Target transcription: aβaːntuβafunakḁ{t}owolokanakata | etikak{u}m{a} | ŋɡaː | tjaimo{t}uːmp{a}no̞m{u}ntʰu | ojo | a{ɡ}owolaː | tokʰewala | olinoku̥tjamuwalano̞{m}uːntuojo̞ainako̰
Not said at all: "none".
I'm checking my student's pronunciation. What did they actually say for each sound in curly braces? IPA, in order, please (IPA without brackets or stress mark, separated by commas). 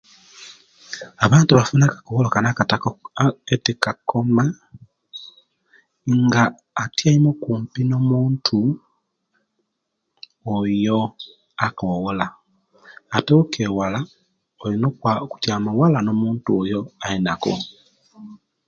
k, o, a, k, i, uː, k, m